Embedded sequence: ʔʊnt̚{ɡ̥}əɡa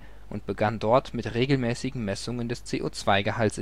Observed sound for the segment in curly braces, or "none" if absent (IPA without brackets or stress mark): b̥